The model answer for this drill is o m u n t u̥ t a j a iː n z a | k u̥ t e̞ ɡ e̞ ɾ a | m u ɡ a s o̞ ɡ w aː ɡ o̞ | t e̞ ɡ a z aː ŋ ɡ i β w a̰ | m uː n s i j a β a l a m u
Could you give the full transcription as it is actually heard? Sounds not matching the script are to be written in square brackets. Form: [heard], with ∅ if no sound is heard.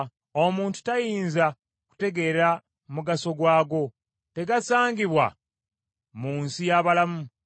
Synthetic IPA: o m [uː] n t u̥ t a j [i] iː n z a | k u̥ t e̞ ɡ e̞ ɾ a | m u ɡ a s o̞ ɡ w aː ɡ o̞ | t e̞ ɡ a [s] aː ŋ ɡ i β w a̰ | m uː n s i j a β a l a m u